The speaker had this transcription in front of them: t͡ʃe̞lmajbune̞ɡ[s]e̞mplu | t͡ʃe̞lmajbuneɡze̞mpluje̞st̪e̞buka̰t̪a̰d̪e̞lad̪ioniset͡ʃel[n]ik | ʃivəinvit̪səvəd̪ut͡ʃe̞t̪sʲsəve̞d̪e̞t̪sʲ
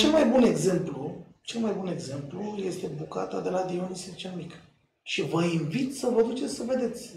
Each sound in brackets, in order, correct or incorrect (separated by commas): incorrect, incorrect